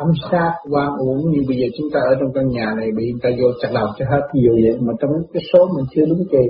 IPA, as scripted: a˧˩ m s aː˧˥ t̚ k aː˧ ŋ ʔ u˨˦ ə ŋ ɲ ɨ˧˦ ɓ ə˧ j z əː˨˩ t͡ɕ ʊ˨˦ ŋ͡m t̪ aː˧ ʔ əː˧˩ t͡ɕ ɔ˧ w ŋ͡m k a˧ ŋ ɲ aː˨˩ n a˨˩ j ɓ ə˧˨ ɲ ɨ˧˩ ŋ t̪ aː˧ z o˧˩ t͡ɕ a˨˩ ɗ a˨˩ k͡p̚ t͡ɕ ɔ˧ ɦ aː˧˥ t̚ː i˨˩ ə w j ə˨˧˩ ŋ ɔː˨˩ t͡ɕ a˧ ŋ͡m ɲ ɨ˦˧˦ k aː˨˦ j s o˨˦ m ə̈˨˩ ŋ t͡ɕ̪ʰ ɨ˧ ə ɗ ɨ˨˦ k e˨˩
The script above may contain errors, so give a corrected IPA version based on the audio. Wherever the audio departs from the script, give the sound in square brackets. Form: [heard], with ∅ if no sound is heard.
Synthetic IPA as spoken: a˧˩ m s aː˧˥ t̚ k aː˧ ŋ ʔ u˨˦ ə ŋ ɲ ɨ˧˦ ɓ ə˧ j z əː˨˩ t͡ɕ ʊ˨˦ ŋ͡m t̪ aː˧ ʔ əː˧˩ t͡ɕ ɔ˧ w ŋ͡m k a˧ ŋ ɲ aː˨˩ n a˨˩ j ɓ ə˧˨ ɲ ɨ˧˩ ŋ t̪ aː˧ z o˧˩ t͡ɕ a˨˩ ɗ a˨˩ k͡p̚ t͡ɕ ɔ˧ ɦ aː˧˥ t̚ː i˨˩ ə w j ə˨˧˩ [m] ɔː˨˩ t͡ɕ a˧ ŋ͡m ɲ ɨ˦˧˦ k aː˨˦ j s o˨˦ m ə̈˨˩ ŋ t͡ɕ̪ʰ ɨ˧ ə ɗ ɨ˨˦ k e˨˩